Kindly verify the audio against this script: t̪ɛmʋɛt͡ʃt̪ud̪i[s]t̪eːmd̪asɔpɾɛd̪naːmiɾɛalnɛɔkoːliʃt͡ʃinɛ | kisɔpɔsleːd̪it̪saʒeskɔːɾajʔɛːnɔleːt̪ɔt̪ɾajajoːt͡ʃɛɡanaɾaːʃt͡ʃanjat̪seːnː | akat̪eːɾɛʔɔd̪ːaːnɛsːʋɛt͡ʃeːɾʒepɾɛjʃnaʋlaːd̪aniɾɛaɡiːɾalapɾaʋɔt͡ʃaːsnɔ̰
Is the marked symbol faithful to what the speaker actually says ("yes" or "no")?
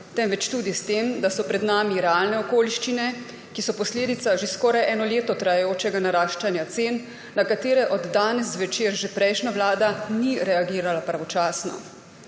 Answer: yes